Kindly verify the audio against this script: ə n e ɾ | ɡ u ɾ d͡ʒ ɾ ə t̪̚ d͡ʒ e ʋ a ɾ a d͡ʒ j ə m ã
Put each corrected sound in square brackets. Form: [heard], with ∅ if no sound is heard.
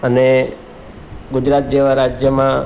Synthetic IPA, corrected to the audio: ə n e [∅] | ɡ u [∅] d͡ʒ ɾ [a] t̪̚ d͡ʒ e ʋ a ɾ a d͡ʒ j ə m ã